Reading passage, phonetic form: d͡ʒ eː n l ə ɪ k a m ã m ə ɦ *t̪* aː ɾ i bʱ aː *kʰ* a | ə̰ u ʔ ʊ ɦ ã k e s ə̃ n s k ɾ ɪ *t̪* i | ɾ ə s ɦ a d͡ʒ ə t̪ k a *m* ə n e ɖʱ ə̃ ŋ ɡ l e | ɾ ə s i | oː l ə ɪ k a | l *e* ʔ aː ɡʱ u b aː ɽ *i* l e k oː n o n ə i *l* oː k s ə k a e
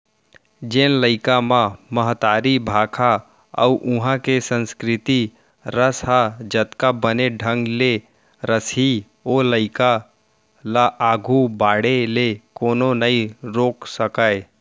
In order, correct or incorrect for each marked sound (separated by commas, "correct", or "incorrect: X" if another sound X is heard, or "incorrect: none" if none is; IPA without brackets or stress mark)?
correct, correct, correct, incorrect: b, incorrect: a, incorrect: e, incorrect: ɾ